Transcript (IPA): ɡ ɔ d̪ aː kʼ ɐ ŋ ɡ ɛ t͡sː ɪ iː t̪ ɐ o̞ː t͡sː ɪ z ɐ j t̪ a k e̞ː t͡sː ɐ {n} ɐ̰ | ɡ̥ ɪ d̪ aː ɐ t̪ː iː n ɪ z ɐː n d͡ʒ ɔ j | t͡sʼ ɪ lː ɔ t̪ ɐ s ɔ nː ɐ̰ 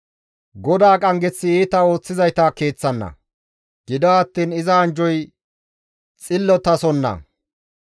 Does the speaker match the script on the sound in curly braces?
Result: no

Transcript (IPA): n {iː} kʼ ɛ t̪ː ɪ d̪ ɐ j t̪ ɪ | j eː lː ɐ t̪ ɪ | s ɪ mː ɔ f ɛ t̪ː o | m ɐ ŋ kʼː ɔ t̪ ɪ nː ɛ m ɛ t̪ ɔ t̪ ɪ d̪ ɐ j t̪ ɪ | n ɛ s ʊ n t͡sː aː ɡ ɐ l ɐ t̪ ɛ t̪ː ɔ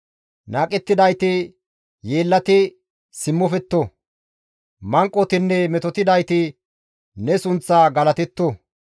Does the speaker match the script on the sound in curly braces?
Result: no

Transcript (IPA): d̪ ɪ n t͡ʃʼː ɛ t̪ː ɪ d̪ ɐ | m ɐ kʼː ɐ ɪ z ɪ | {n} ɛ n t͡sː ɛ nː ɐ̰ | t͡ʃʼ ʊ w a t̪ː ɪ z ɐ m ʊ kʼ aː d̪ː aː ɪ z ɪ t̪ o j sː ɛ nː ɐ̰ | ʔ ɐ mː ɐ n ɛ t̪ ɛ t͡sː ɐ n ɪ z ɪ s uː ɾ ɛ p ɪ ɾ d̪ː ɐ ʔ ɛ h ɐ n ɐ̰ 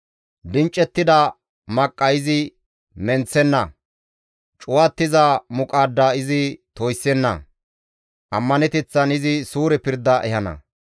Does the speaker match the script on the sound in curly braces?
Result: no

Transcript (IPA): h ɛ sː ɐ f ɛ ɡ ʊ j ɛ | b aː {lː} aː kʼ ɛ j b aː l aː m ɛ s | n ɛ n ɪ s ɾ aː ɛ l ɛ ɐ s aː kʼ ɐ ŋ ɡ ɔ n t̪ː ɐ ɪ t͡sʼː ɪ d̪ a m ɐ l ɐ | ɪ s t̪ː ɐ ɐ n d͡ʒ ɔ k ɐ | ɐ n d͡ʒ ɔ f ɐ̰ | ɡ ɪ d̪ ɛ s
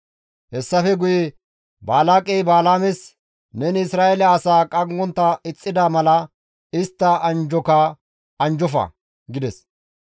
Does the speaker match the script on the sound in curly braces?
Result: no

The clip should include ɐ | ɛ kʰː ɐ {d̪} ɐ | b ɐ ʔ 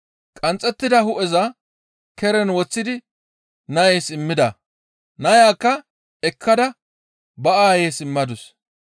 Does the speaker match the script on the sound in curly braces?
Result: yes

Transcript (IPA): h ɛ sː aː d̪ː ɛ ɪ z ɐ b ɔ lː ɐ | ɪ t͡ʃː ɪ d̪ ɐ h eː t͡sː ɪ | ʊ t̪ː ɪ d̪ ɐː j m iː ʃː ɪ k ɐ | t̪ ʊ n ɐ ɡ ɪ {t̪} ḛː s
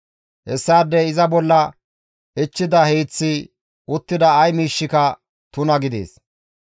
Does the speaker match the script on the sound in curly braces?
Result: no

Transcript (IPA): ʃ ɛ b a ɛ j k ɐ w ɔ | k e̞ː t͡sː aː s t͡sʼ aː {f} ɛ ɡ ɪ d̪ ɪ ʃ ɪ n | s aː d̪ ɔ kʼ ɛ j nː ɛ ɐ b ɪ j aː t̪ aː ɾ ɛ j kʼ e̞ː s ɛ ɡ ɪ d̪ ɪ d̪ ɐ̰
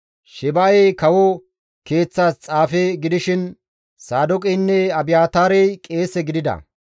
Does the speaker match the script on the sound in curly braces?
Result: yes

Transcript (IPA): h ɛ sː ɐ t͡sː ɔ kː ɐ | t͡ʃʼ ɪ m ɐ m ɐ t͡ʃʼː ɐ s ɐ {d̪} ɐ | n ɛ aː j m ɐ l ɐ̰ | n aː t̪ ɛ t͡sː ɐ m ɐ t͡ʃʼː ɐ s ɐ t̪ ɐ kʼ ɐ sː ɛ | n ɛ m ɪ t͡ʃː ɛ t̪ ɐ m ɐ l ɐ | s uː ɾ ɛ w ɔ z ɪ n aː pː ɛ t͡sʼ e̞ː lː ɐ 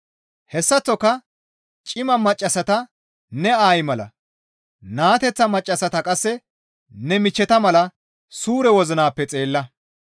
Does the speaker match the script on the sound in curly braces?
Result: no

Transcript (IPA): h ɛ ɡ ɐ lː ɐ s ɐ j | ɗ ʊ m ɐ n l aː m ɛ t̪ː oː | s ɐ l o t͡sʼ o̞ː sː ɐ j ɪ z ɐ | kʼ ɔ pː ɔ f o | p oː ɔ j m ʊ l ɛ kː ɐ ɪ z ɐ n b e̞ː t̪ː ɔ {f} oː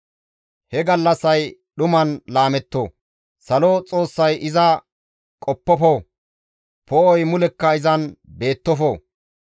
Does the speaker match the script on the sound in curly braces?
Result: yes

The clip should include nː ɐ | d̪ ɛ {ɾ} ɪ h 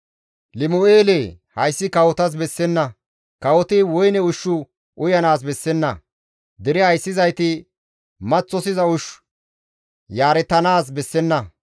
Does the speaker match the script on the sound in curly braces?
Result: yes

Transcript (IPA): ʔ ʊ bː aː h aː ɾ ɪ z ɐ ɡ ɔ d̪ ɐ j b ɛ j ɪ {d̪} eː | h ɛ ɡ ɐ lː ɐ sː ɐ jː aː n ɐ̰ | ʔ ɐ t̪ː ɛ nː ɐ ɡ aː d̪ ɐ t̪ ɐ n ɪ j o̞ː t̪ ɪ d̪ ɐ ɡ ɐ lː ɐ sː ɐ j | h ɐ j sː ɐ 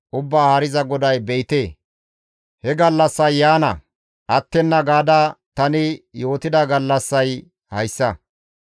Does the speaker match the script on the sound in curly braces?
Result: no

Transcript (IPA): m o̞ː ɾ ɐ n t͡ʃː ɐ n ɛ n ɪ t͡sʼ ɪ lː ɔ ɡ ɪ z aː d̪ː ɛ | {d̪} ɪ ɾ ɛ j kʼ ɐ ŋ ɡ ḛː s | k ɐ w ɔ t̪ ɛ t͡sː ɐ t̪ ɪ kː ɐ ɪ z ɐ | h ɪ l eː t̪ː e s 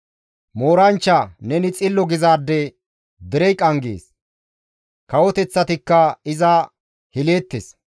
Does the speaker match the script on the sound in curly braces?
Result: yes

